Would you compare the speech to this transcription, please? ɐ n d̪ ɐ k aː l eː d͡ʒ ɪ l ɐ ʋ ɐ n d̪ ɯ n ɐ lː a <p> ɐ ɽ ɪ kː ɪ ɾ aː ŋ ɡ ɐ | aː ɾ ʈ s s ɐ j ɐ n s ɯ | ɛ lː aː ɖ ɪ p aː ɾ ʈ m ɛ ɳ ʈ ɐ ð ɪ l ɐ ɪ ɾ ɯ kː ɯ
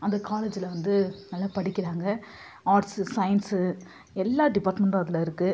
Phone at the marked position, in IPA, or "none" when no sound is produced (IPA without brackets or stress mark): p